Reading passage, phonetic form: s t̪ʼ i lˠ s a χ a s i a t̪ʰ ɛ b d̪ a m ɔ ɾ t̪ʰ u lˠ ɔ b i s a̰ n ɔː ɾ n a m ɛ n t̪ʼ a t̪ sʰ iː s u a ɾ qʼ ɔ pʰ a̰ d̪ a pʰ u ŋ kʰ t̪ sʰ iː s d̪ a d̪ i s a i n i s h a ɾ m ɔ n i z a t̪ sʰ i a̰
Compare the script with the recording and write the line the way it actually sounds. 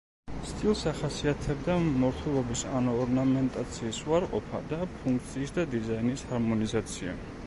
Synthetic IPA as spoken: s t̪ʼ i lˠ s a χ a s i a t̪ʰ ɛ b d̪ a m ɔ ɾ t̪ʰ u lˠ ɔ b i s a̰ n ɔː ɾ n a m ɛ n t̪ʼ a t̪ sʰ iː s u a ɾ qʼ ɔ pʰ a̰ d̪ a pʰ u ŋ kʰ t̪ sʰ iː s d̪ a d̪ i z a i n i s h a ɾ m ɔ n i z a t̪ sʰ i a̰